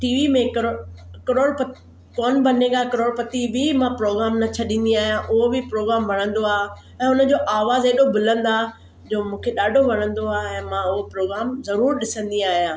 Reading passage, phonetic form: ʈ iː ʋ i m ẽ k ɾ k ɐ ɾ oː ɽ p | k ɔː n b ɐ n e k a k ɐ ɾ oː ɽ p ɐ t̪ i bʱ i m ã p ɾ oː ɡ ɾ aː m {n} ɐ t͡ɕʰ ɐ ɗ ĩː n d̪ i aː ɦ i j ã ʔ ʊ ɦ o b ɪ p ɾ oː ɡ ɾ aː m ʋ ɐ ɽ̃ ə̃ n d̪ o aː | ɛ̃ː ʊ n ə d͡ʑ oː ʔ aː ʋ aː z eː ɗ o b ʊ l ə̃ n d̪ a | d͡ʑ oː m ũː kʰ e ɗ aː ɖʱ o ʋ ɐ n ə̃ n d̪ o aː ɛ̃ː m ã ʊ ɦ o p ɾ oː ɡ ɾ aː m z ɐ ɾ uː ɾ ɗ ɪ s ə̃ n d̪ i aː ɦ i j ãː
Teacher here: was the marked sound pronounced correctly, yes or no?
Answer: yes